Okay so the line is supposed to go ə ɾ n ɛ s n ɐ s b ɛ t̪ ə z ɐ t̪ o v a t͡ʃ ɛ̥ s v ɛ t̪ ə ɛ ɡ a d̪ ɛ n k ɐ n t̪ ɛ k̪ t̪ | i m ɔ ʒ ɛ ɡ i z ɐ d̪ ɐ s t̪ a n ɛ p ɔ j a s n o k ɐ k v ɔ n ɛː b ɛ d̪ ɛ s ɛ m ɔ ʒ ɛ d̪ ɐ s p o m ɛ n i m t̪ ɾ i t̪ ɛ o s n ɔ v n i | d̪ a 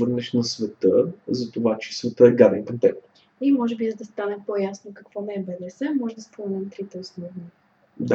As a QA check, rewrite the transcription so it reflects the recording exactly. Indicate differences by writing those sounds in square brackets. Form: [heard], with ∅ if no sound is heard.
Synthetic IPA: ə ɾ n ɛ [ʃ] n ɐ s [v] ɛ t̪ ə z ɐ t̪ o v a t͡ʃ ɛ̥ s v ɛ t̪ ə ɛ ɡ a d̪ ɛ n k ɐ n t̪ ɛ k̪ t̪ | i m ɔ ʒ ɛ [b] i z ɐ d̪ ɐ s t̪ a n ɛ p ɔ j a s n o k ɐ k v ɔ n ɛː b ɛ d̪ ɛ s ɛ m ɔ ʒ ɛ d̪ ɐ s p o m ɛ n [ɛ] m t̪ ɾ i t̪ ɛ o s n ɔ v n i | d̪ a